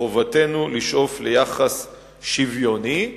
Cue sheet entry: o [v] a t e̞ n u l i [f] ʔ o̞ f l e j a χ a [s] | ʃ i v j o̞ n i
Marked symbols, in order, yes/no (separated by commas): yes, no, yes